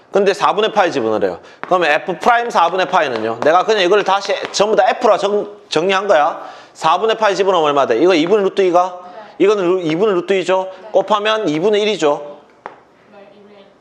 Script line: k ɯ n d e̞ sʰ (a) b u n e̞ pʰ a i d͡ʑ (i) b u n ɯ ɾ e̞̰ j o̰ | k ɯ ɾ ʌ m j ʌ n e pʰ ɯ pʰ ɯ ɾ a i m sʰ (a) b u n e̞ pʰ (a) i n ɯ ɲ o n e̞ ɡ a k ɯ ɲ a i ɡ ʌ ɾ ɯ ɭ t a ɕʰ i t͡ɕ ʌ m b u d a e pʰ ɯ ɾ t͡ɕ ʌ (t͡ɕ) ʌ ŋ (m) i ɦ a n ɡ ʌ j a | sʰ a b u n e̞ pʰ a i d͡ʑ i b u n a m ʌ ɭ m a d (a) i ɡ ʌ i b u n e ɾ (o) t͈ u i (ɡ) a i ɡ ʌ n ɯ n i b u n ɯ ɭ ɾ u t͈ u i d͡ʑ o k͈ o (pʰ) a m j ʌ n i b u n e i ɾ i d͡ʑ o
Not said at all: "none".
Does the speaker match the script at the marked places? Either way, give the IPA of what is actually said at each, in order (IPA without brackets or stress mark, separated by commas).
a, i, a, a, t͡ɕ, ɲ, e, u, ɡ, pʰ